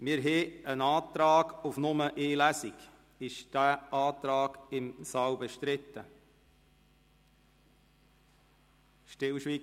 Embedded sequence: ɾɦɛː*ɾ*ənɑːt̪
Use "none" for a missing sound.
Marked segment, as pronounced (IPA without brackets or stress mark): none